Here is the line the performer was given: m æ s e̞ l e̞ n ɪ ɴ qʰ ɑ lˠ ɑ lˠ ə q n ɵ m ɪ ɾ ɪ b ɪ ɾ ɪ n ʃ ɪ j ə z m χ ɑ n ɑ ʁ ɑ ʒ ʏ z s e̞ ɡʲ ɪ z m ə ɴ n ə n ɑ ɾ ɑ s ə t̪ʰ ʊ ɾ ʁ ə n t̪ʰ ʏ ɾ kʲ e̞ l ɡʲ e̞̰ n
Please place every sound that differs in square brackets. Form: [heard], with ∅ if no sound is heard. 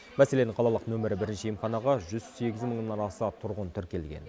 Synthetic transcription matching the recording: m æ s e̞ l e̞ n ɪ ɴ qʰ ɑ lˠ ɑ lˠ ə q n ɵ m ɪ ɾ ɪ b ɪ ɾ ɪ n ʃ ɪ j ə [∅] m χ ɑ n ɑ ʁ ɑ ʒ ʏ z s e̞ ɡʲ ɪ z m ə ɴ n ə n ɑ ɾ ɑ s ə t̪ʰ ʊ ɾ ʁ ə n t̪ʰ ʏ ɾ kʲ e̞ l ɡʲ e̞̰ n